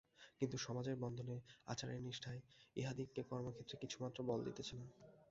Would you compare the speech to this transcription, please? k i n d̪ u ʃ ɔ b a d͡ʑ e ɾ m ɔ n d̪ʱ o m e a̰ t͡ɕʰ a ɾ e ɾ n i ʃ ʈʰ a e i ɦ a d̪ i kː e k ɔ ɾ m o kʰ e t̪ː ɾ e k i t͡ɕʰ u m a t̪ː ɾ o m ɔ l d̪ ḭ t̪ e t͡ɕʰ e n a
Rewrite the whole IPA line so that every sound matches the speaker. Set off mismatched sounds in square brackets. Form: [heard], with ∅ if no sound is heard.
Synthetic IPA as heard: k i n [t̪] u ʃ ɔ [m] a d͡ʑ e ɾ [b] ɔ n d̪ʱ o [n] e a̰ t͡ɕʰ a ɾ e ɾ n i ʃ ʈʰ a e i ɦ a d̪ i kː e k ɔ ɾ m o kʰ e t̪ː ɾ e k i t͡ɕʰ u m a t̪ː ɾ o [b] ɔ l d̪ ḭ t̪ e t͡ɕʰ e n a